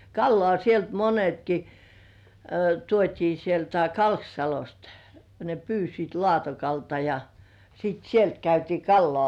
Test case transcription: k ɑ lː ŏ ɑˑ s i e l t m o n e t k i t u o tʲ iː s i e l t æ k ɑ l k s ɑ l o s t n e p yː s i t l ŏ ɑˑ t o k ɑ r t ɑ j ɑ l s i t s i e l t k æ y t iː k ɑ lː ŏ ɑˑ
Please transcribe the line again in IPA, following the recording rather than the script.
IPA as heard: k ɑ lː ŏ ɑˑ s i e l t m o n e t k i t u o tʲ iː s i e l t æ k ɑ l k s ɑ l o s t n e p yː s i t l ŏ ɑˑ t o k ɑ l t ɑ j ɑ s i t s i e l t k æ y t iː k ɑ lː ŏ ɑˑ